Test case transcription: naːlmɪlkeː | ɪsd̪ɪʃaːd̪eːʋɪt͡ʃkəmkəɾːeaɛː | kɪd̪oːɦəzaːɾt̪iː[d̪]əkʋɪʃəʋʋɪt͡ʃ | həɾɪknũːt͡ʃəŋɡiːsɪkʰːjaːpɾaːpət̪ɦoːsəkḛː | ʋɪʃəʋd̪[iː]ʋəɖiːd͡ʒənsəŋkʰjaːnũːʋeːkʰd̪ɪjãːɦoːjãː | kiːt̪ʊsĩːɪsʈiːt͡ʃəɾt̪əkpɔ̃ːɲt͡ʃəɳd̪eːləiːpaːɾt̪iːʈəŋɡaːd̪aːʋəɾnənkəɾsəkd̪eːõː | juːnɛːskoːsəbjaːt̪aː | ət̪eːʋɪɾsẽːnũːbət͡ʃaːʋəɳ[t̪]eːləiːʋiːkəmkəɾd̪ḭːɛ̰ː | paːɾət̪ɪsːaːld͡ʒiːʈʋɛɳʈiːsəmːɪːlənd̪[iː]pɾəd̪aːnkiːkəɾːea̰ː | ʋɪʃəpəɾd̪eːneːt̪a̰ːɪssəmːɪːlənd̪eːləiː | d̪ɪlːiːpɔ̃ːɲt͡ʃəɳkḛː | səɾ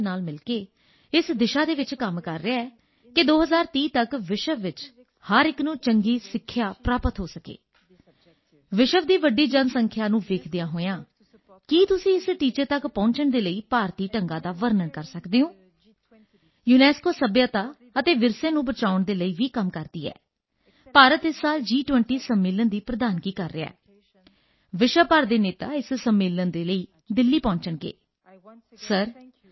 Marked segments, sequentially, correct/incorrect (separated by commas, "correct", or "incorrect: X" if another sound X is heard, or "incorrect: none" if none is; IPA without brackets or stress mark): incorrect: t̪, correct, incorrect: d̪, correct